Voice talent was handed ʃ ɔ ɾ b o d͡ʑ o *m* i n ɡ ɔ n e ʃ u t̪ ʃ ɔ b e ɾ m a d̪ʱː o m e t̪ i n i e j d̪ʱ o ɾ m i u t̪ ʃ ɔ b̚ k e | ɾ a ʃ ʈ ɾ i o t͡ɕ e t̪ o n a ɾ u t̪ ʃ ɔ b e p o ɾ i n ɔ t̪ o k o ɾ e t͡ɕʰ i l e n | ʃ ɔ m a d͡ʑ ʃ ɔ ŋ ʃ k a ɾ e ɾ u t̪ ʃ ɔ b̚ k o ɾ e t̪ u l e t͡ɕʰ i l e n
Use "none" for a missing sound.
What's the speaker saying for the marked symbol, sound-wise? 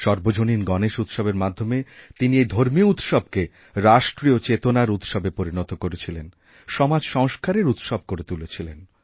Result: n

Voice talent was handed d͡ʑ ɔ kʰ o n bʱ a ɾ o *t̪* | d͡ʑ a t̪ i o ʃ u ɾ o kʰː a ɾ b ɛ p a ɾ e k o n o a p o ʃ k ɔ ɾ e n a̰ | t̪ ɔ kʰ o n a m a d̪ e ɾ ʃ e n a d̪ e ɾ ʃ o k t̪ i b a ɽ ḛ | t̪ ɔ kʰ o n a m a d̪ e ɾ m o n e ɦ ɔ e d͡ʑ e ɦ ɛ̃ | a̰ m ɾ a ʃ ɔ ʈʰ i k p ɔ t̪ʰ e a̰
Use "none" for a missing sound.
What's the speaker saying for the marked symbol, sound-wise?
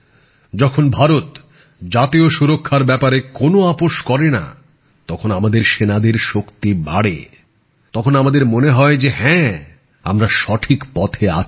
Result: t̪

